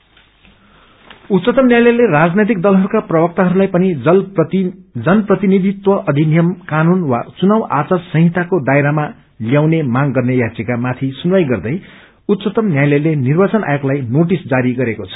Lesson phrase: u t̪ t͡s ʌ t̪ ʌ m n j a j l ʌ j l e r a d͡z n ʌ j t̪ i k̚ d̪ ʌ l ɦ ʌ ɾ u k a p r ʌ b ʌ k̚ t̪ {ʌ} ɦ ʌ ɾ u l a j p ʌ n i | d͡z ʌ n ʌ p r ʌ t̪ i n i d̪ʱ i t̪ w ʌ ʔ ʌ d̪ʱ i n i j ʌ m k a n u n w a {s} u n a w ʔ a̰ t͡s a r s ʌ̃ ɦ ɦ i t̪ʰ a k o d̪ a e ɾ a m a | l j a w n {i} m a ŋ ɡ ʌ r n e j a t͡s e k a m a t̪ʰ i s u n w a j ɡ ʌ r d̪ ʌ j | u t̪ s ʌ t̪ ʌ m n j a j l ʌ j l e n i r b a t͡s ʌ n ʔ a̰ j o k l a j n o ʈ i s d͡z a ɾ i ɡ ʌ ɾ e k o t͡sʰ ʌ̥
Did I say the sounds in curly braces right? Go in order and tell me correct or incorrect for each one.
incorrect, incorrect, incorrect

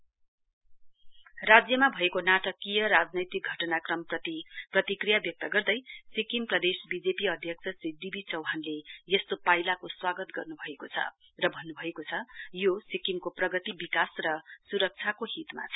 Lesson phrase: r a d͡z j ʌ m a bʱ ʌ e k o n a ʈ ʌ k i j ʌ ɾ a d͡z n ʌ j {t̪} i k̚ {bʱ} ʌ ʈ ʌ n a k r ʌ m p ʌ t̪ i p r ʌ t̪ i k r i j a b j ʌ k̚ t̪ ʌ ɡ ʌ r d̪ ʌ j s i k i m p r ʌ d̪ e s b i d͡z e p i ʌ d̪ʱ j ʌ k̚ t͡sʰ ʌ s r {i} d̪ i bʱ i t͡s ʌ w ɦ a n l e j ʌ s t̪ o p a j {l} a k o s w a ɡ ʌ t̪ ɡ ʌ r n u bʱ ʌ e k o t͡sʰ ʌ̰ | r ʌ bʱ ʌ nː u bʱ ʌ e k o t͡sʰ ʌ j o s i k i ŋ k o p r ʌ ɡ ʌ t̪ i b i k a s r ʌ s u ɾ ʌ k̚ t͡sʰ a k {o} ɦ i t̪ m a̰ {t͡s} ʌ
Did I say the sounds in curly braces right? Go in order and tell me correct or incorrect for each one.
correct, incorrect, correct, correct, correct, incorrect

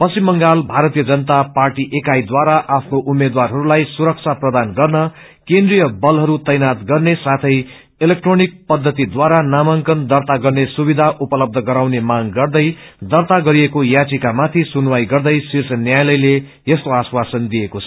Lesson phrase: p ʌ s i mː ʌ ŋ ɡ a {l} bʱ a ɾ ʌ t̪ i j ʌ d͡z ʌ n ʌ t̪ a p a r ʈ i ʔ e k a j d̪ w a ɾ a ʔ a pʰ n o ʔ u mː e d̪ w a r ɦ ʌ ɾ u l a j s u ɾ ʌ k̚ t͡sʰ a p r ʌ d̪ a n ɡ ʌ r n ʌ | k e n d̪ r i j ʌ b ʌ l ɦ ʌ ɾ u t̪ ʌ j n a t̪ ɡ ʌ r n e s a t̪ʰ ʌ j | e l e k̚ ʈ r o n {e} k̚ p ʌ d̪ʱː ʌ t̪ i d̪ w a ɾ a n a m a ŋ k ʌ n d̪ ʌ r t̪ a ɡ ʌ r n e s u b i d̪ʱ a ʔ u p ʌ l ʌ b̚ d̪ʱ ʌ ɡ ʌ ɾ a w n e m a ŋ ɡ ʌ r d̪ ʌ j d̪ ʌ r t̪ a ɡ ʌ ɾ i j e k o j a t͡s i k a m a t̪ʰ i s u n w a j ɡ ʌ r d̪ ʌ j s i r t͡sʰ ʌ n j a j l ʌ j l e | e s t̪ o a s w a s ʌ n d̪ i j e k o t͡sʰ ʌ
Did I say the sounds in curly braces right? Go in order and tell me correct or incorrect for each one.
correct, incorrect

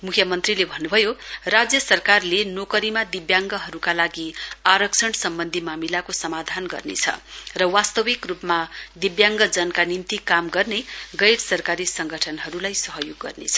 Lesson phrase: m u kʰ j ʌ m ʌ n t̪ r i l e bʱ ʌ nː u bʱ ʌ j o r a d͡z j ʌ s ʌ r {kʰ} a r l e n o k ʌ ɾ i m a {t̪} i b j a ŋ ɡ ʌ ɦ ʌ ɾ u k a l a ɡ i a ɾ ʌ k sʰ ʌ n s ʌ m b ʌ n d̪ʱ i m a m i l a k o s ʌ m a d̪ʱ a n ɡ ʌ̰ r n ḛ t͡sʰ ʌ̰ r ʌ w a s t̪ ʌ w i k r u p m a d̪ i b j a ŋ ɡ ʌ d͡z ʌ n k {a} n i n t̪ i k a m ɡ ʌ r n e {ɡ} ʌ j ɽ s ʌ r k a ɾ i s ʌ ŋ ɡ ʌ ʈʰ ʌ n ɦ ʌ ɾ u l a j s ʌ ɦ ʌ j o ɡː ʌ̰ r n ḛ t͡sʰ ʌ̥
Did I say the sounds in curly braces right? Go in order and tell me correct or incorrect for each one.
incorrect, incorrect, correct, correct

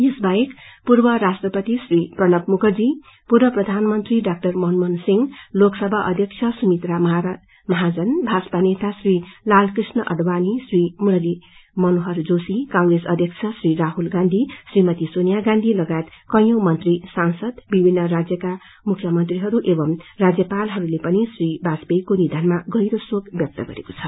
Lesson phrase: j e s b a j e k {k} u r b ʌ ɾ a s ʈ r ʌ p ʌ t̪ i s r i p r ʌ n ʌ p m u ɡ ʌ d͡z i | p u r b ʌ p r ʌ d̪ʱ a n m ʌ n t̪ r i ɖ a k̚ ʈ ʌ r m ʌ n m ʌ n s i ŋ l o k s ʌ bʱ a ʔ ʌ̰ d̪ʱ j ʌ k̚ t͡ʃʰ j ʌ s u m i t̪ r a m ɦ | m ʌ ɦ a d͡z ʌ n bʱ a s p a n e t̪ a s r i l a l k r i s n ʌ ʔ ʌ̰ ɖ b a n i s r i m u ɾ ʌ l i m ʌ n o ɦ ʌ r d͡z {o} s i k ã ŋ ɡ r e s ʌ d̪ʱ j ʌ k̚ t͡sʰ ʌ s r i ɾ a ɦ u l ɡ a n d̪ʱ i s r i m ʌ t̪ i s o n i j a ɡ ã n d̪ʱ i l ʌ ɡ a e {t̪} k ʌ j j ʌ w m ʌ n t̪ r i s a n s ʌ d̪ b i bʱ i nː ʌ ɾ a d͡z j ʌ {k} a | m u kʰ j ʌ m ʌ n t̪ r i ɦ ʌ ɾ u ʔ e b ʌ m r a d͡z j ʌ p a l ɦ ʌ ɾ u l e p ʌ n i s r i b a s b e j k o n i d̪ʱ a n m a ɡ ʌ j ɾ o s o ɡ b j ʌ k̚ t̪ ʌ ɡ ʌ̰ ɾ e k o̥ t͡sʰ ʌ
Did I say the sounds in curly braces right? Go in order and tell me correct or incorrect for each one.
incorrect, correct, correct, correct

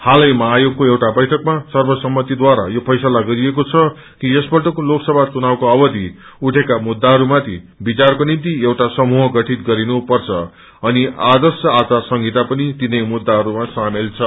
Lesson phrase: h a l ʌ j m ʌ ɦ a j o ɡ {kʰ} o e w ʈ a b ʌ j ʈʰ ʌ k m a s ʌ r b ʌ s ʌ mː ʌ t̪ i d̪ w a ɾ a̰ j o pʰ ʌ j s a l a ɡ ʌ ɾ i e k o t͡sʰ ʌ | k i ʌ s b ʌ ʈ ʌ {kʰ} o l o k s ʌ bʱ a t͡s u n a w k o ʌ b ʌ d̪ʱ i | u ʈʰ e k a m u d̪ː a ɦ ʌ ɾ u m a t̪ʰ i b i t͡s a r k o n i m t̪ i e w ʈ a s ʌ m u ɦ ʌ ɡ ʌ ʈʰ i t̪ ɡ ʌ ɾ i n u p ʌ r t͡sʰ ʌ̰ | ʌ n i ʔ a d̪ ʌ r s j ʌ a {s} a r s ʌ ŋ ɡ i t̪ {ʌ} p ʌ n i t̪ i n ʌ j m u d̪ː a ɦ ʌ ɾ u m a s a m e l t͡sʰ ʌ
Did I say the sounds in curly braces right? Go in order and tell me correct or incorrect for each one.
incorrect, incorrect, incorrect, incorrect

